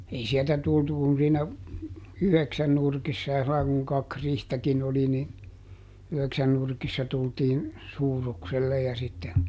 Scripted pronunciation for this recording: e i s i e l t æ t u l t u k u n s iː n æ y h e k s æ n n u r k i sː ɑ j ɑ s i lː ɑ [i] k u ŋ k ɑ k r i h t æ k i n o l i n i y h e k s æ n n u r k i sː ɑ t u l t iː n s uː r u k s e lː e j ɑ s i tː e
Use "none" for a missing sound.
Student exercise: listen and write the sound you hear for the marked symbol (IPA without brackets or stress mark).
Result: i